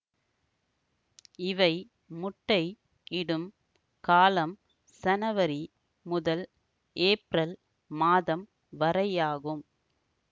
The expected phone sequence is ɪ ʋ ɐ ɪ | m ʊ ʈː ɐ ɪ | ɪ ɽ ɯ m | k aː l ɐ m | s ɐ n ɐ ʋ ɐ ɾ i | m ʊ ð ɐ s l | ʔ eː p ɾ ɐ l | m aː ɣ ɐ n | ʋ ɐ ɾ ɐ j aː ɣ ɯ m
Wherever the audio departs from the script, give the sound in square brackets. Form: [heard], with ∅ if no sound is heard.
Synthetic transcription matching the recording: ɪ ʋ ɐ ɪ | m ʊ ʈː ɐ ɪ | ɪ ɽ ɯ m | k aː l ɐ m | s ɐ n ɐ ʋ ɐ ɾ i | m ʊ ð ɐ [∅] l | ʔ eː p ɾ ɐ l | m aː [ð] ɐ [m] | ʋ ɐ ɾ ɐ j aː ɣ ɯ m